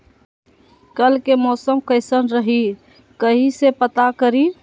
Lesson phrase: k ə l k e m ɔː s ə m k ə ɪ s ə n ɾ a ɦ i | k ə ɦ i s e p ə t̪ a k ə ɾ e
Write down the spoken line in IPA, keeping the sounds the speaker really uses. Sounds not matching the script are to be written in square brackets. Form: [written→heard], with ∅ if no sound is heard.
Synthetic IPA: k ə l k e m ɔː s ə m k ə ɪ s ə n ɾ [a→ə] ɦ i | k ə ɦ i s e p ə t̪ a k ə ɾ [e→i]